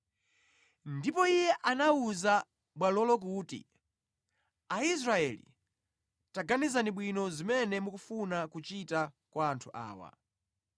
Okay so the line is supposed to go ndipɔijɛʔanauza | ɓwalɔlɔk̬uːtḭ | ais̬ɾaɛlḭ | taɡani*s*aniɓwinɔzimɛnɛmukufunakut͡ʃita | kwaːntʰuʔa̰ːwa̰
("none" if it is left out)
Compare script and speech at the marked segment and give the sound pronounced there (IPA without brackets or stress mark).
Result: z